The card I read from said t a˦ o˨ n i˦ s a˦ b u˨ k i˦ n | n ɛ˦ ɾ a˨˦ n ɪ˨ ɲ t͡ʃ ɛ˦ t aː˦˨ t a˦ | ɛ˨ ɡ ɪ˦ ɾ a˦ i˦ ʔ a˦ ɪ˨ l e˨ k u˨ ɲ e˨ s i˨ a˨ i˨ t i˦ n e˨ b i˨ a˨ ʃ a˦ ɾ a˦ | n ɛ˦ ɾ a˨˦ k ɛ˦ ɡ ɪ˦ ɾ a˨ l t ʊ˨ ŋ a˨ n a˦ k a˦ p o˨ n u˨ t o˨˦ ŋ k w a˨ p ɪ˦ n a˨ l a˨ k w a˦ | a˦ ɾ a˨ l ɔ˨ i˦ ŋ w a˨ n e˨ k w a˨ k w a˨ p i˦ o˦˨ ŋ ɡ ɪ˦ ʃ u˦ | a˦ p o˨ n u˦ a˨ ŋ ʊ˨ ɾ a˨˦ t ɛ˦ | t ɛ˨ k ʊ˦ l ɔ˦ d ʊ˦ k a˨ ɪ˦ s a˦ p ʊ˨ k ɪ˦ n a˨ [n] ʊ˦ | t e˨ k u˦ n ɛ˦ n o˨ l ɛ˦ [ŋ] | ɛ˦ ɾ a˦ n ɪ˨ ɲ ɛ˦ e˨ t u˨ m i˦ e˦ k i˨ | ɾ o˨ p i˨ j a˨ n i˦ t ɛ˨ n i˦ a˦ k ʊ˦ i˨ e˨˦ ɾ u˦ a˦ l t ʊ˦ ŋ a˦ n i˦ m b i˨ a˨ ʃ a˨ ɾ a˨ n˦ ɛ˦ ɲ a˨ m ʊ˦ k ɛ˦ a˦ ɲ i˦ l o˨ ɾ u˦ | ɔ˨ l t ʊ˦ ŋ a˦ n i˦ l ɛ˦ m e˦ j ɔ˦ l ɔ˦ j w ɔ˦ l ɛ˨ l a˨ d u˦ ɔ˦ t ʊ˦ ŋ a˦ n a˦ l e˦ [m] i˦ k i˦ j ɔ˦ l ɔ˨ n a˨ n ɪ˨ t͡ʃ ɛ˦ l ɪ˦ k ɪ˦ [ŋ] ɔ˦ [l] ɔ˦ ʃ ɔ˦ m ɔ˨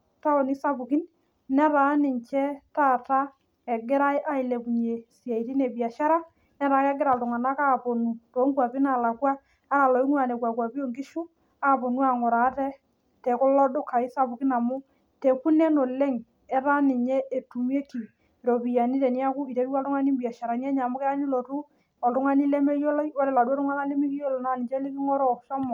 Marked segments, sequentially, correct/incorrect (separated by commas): incorrect, correct, correct, correct, incorrect